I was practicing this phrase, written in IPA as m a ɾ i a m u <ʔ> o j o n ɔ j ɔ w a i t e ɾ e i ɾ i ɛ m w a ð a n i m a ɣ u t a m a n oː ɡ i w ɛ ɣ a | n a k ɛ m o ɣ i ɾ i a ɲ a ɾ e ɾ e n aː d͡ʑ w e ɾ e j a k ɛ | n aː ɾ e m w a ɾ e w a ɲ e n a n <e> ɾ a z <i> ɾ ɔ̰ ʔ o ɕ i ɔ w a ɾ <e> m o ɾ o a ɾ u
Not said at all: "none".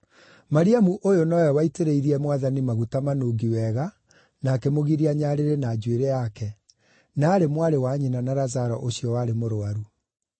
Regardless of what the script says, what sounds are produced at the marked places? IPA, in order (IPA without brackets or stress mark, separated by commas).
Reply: ʔ, a, a, e